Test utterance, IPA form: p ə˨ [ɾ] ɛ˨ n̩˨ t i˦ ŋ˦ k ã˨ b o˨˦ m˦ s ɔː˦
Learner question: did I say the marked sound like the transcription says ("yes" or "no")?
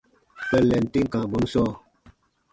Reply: no